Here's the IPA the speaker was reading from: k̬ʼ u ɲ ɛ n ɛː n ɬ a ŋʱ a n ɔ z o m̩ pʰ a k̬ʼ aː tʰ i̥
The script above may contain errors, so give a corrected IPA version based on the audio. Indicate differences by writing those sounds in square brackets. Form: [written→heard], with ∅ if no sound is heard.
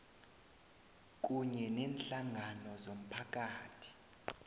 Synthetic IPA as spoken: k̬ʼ u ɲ ɛ n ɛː n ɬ a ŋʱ a n ɔ z o m̩ pʰ a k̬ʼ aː tʰ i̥